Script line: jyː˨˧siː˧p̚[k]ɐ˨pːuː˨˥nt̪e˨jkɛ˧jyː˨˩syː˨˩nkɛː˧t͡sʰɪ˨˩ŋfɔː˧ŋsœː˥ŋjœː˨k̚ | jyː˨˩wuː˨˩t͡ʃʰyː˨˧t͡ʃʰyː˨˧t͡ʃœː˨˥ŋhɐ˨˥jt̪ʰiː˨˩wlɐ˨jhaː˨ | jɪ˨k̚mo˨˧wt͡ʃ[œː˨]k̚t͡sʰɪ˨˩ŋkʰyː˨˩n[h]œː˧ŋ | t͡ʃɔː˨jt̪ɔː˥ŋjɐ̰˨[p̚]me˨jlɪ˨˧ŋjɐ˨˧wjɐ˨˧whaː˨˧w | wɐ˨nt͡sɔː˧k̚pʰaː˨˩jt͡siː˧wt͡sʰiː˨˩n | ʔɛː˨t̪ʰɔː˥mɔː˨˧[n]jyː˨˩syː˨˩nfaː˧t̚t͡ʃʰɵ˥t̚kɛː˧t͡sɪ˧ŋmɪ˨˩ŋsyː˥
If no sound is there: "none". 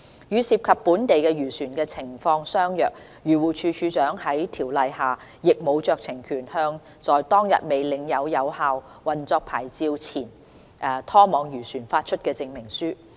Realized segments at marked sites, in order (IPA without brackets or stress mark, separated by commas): kʰ, œː˨, h, t̚, ŋ